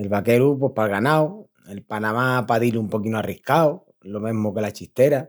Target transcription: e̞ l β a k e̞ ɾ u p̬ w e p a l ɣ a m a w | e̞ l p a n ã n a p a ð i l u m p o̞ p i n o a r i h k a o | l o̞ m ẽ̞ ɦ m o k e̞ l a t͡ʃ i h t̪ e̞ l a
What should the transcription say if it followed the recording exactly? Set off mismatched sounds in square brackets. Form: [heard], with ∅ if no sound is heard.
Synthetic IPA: e̞ l β a k e̞ ɾ u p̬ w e p a l ɣ a [n] a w | e̞ l p a n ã [m] a p a ð i l u m p o̞ [k] i n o a r i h k a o | l o̞ m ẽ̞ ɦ m o k e̞ l a t͡ʃ i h t̪ e̞ [ɾ] a